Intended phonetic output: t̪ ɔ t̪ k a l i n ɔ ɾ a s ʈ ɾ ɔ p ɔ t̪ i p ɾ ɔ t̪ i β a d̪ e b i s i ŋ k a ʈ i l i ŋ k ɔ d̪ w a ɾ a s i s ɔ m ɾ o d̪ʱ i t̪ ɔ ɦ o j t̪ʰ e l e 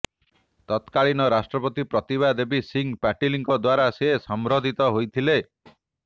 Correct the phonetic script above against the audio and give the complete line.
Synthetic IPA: t̪ ɔ t̪ k a ɭ i n ɔ ɾ a s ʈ ɾ ɔ p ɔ t̪ i p ɾ ɔ t̪ i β a d̪ e b i s i ŋ p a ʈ i l i ŋ k ɔ d̪ w a ɾ a s e s ɔ m ɾ o d̪ʱ i t̪ ɔ ɦ o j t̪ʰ i l e

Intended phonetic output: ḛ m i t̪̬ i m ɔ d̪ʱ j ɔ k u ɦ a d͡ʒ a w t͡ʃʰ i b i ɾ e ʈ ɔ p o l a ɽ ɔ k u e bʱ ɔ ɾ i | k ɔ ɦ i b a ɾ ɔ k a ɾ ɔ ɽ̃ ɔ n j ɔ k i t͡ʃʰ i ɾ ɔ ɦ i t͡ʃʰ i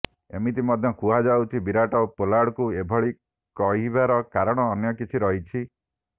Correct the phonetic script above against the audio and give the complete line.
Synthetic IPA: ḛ m i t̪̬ i m ɔ d̪ʱ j ɔ k u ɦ a d͡ʒ a w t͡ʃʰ i b i ɾ a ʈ ɔ p o l a ɽ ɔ k u e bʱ ɔ ɭ i | k ɔ ɦ i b a ɾ ɔ k a ɾ ɔ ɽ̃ ɔː n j ɔ k i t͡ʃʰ i ɾ ɔ ɦ i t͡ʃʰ i

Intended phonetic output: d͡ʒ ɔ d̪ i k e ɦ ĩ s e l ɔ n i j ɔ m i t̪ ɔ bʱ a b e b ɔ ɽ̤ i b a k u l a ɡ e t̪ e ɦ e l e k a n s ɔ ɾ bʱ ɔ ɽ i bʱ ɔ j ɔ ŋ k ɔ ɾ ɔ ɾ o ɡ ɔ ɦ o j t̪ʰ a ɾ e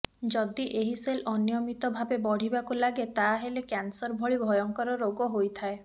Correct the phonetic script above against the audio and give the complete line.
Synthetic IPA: d͡ʒ ɔ d̪ i ʔ e ɦ i s e l ɔ n i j ɔ m i t̪ ɔ bʱ a b e b ɔ ɽ̤ i b a k u l a ɡ e t̪ a ɦ e l e k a n s ɔ ɾ bʱ ɔ ɭ i bʱ ɔ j ɔ ŋ k ɔ ɾ ɔ ɾ o ɡ ɔ ɦ o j t̪ʰ a e

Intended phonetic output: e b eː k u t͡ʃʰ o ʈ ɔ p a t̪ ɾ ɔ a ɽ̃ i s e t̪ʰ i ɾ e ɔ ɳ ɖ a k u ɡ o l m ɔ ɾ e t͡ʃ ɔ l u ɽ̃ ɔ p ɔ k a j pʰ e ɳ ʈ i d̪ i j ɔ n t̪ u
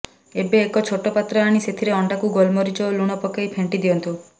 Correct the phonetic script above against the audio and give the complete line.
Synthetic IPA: e b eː k ɔ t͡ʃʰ o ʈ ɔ p a t̪ ɾ ɔ a ɽ̃ i s e t̪ʰ i ɾ e ɔ ɳ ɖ a k u ɡ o l m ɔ ɾ i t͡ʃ ɔ l u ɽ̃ ɔ p ɔ k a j pʰ e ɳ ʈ i d̪ i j ɔ n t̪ u

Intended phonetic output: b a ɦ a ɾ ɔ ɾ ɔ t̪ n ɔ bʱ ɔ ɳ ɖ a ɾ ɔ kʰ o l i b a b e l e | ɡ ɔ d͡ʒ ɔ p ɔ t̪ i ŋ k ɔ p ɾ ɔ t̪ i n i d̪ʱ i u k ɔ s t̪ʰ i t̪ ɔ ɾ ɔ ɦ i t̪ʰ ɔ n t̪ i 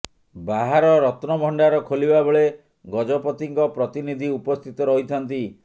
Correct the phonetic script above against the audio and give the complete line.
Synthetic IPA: b a ɦ a ɾ ɔ ɾ ɔ t̪ n ɔ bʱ ɔ ɳ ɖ a ɾ ɔ kʰ o l i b a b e ɭ e | ɡ ɔ d͡ʒ ɔ p ɔ t̪ i ŋ k ɔ p ɾ ɔ t̪ i n i d̪ʱ i u p ɔ s t̪ʰ i t̪ ɔ ɾ ɔ ɦ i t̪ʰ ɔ n t̪ i

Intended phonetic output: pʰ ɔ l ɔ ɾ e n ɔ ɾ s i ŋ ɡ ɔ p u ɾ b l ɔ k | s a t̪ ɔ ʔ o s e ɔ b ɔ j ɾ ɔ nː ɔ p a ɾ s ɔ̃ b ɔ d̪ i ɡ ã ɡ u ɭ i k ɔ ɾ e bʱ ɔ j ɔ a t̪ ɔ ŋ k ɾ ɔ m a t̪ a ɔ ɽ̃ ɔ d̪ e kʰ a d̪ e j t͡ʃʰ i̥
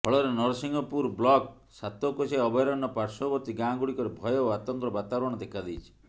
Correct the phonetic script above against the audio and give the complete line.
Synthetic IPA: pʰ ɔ ɭ ɔ ɾ e n ɔ ɾ s i ŋ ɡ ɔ p u ɾ b l ɔ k | s a t̪ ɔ k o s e ɔ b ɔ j ɾ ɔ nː ɔ p a ɾ s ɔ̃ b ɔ t̪ i ɡ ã ɡ u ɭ i k ɔ ɾ e bʱ ɔ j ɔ a t̪ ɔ ŋ k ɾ ɔ b a t̪ a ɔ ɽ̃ ɔ d̪ e kʰ a d̪ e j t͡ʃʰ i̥

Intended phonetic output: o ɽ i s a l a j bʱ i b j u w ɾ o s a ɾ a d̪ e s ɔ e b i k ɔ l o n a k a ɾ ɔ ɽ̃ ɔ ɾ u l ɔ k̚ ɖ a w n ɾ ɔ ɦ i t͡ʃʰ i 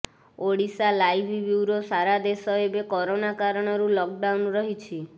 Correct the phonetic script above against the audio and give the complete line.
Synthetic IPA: o ɽ i s a l a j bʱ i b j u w ɾ o s a ɾ a d̪ e s ɔ e b e k ɔ ɾ o n a k a ɾ ɔ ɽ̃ ɔ ɾ u l ɔ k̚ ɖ a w n ɾ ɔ ɦ i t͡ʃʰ i

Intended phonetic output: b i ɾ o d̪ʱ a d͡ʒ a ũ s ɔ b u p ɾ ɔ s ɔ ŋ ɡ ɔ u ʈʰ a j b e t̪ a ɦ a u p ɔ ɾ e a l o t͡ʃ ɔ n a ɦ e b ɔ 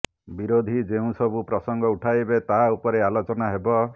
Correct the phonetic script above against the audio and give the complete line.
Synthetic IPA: b i ɾ o d̪ʱ i d͡ʒ e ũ s ɔ b u p ɾ ɔ s ɔ ŋ ɡ ɔ u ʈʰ a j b e t̪ a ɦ a u p ɔ ɾ e a l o t͡ʃ ɔ n a ɦ e b ɔ

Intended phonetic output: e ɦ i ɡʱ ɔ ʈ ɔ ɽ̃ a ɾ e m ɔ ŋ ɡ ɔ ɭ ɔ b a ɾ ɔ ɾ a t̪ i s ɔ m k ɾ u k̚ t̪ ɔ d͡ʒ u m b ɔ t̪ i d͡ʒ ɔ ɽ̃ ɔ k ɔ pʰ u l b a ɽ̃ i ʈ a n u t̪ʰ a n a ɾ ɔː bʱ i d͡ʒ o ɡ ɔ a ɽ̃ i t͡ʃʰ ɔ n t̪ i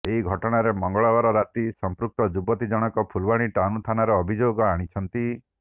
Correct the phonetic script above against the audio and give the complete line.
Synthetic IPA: e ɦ i ɡʱ ɔ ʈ ɔ ɽ̃ a ɾ e m ɔ ŋ ɡ ɔ ɭ ɔ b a ɾ ɔ ɾ a t̪ i s ɔ m p ɾ u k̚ t̪ ɔ d͡ʒ u b ɔ t̪ i d͡ʒ ɔ ɽ̃ ɔ k ɔ pʰ u l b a ɽ̃ i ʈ a n u t̪ʰ a n a ɾ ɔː bʱ i d͡ʒ o ɡ ɔ a ɽ̃ i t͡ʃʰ ɔ n t̪ i

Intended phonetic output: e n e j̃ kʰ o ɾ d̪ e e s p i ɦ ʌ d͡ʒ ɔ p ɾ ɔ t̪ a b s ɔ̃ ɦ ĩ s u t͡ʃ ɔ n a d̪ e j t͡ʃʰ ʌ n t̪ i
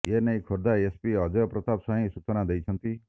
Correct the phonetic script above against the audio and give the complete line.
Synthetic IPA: e n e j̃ kʰ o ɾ d̪ a e s p i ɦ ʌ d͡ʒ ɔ p ɾ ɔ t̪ a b s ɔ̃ ɦ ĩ s u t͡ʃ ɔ n a d̪ e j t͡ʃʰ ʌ n t̪ i

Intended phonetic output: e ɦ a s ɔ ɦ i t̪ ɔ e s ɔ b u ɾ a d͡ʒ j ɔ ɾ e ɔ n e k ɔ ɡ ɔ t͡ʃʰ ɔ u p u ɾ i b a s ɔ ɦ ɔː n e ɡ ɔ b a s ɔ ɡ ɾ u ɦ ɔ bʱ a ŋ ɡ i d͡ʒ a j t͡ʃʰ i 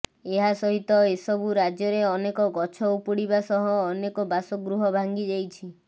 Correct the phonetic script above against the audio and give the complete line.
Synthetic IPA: e ɦ a s ɔ ɦ i t̪ ɔ e s ɔ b u ɾ a d͡ʒ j ɔ ɾ e ɔ n e k ɔ ɡ ɔ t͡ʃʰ ɔ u p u ɽ i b a s ɔ ɦ ɔː n e k ɔ b a s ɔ ɡ ɾ u ɦ ɔ bʱ a ŋ ɡ i d͡ʒ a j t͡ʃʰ i

